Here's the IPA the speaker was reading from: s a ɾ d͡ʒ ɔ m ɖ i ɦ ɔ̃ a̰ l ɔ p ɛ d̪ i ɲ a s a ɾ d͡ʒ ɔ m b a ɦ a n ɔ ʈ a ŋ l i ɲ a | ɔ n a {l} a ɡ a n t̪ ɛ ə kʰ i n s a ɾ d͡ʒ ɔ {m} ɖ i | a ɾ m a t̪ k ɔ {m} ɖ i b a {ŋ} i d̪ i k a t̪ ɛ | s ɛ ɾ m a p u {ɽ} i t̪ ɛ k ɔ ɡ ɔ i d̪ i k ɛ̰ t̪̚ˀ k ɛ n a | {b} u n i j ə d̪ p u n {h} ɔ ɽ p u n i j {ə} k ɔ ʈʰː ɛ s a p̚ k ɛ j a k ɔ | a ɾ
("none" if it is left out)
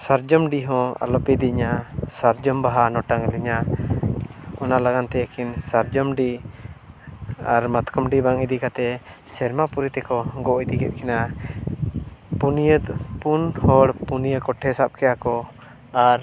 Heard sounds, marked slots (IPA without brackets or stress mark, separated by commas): l, m, m, ŋ, ɾ, p, h, ə